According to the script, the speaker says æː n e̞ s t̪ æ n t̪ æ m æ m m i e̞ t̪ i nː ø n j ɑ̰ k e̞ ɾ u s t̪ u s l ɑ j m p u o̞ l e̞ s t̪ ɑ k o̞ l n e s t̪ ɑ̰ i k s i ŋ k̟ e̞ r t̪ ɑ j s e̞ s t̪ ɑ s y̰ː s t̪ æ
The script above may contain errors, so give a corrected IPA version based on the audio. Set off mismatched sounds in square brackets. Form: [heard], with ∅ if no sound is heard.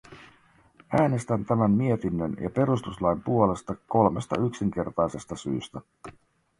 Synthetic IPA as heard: æː n e̞ s t̪ æ n t̪ æ m æ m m i e̞ t̪ i nː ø n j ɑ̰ [p] e̞ ɾ u s t̪ u s l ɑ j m p u o̞ l e̞ s t̪ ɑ k o̞ l [m] e s t̪ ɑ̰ [y] k s i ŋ k̟ e̞ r t̪ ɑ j s e̞ s t̪ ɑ s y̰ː s t̪ æ

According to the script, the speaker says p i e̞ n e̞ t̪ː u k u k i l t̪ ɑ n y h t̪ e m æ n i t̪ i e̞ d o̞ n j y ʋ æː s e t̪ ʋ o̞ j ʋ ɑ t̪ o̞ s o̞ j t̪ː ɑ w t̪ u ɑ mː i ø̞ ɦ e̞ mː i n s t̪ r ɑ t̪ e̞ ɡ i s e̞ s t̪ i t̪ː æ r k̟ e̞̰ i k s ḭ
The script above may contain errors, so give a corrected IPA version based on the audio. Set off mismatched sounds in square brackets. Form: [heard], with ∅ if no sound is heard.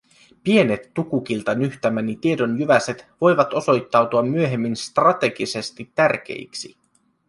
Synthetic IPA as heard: p i e̞ n e̞ t̪ː u k u k i l t̪ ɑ n y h t̪ [æ] m æ n i t̪ i e̞ d o̞ n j y ʋ [æ] s e t̪ ʋ o̞ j ʋ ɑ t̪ o̞ s o̞ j t̪ː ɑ w t̪ u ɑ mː [y] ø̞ ɦ e̞ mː i n s t̪ r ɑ t̪ e̞ ɡ i s e̞ s t̪ i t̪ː æ r k̟ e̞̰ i k s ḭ

